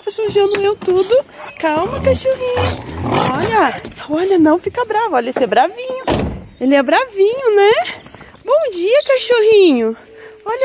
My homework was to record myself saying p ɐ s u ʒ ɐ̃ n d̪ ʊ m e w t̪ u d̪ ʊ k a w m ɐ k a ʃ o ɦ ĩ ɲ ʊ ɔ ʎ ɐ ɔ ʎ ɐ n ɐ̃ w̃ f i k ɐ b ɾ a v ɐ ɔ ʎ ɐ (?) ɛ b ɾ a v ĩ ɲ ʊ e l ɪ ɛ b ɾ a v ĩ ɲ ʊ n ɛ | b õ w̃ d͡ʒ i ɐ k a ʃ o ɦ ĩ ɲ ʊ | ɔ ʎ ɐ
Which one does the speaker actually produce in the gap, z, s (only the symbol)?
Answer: s